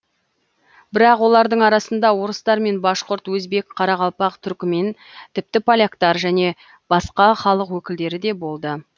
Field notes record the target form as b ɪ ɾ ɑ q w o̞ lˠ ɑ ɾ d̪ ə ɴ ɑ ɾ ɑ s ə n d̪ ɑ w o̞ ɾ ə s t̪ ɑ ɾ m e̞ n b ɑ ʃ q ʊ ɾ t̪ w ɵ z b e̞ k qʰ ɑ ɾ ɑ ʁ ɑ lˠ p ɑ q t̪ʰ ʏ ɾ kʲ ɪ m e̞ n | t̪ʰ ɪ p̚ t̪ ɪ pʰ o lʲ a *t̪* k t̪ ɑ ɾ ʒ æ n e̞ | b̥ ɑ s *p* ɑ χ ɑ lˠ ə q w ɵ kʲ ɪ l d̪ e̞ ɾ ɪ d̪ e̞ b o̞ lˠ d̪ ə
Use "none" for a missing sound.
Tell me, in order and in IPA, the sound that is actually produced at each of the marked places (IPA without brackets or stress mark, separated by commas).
none, q